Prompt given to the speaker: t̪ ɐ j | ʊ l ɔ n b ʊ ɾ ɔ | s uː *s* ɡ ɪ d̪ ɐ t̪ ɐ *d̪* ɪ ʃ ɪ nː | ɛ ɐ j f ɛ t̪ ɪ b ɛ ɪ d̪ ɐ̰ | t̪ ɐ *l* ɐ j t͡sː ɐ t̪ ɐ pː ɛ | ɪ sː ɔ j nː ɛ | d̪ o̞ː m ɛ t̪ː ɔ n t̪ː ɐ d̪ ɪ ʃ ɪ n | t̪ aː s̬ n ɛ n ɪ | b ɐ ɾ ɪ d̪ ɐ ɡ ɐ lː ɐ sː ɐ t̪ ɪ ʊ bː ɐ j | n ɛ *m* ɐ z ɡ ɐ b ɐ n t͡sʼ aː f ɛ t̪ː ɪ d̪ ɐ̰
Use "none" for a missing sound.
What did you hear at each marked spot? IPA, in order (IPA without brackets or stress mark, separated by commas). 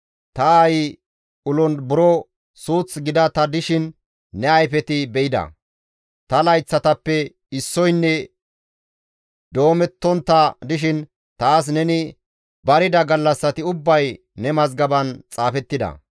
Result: t͡s, d̪, l, m